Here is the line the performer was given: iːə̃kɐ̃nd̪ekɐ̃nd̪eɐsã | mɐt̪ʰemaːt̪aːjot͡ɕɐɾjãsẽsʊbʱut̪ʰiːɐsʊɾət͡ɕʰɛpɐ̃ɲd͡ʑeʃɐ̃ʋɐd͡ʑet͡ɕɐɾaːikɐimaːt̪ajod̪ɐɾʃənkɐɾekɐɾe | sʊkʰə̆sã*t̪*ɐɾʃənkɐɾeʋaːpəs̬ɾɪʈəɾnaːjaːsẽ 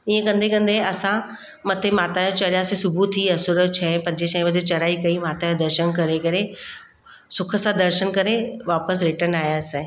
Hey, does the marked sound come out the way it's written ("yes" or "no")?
no